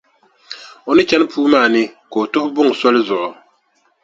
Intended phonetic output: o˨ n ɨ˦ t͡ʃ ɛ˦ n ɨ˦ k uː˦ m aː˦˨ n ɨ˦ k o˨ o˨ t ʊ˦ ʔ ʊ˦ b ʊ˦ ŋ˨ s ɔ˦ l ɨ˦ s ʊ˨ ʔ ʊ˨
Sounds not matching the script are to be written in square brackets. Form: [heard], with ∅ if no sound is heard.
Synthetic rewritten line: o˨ n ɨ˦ t͡ʃ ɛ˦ n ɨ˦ [p] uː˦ m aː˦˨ n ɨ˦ k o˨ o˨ t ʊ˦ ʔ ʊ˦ b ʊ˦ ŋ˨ s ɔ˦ l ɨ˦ [z] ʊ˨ ʔ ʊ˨